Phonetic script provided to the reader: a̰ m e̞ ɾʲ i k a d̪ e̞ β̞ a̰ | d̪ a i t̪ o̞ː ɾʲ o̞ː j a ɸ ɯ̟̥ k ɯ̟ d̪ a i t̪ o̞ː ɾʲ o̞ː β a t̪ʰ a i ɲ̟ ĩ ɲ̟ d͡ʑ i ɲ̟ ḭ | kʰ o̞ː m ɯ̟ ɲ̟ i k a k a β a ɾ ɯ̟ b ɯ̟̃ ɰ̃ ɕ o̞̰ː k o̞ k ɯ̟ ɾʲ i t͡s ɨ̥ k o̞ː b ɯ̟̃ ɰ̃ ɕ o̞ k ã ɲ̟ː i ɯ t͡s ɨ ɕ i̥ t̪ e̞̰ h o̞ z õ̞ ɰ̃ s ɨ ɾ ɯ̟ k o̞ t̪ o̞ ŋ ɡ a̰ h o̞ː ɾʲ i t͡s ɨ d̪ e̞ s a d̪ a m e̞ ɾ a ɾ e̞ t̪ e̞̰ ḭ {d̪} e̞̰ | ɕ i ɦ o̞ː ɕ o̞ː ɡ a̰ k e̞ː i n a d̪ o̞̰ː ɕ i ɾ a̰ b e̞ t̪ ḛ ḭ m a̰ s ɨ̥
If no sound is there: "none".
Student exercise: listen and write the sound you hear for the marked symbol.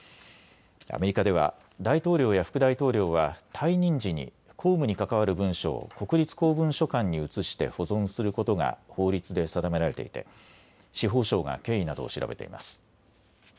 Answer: t̪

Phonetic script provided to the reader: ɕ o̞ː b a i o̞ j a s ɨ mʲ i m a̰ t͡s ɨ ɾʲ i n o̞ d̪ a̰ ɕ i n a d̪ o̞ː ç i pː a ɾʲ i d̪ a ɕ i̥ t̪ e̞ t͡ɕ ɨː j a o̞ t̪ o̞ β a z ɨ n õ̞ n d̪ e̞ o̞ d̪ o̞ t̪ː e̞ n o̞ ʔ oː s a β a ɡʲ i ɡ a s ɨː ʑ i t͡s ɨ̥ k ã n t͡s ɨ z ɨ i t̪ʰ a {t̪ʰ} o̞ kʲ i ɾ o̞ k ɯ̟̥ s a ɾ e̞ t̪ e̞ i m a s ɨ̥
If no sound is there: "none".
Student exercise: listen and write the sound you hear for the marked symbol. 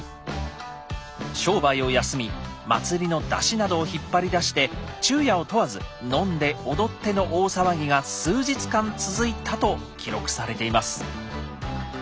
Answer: t̪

